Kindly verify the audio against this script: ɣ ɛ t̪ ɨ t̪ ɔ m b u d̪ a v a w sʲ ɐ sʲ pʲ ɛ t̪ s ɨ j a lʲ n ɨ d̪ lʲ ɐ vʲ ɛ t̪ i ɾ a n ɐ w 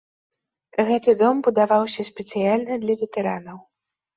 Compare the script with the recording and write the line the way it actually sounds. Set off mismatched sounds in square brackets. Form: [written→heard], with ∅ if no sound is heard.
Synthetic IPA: ɣ ɛ t̪ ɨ [t̪→d̪] ɔ m b u d̪ a v a w sʲ ɐ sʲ pʲ ɛ t̪ s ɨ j a lʲ n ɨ d̪ lʲ ɐ vʲ ɛ t̪ [i→ɛ] ɾ a n ɐ w